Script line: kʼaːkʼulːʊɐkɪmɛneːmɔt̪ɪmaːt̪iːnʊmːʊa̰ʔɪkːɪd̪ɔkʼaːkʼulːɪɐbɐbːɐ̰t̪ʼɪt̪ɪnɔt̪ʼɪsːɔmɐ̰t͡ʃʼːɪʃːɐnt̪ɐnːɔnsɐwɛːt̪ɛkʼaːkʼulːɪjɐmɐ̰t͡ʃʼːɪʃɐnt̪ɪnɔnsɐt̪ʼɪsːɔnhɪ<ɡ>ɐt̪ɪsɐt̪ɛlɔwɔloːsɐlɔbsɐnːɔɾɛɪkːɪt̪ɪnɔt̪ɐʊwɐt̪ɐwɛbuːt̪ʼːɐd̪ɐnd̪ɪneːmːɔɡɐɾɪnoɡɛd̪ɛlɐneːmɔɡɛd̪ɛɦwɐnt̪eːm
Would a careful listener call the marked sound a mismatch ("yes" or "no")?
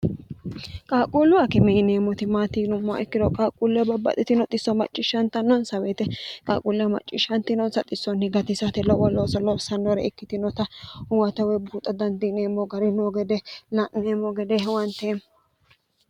no